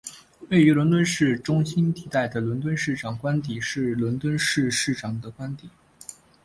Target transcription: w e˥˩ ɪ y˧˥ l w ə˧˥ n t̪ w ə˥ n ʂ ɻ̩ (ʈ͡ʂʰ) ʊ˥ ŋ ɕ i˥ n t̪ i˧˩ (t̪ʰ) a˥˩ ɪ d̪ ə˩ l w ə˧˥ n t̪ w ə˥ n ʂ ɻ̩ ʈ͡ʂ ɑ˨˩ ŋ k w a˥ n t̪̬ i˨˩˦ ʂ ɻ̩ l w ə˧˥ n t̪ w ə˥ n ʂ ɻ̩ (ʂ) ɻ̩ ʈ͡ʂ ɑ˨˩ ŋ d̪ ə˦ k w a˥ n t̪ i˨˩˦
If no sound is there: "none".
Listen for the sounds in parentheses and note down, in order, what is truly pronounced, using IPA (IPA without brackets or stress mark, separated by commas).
ʈ͡ʂ, t̪, ʂ